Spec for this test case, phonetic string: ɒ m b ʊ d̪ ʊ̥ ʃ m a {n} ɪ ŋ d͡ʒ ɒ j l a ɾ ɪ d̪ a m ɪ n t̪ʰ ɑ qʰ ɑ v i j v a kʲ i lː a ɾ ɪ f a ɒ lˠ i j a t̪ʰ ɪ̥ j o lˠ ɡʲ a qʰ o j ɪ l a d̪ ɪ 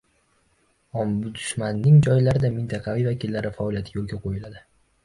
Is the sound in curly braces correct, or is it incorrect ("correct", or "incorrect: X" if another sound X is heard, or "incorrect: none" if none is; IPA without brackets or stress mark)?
incorrect: nː